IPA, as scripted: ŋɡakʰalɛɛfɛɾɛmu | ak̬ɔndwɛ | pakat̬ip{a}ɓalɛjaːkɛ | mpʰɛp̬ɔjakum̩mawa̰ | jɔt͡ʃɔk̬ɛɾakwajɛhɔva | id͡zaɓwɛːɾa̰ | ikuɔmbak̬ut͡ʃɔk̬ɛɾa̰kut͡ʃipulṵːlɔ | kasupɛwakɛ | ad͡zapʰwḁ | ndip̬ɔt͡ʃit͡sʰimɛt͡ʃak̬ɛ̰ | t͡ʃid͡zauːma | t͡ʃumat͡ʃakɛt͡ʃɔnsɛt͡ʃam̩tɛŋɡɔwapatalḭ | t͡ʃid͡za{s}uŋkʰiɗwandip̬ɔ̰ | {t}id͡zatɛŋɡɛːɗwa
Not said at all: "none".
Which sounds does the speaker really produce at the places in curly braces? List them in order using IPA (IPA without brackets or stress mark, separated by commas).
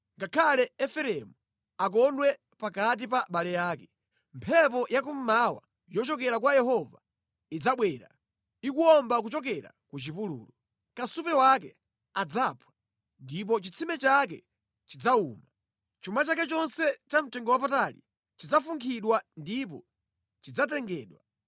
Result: a, f, t͡ʃ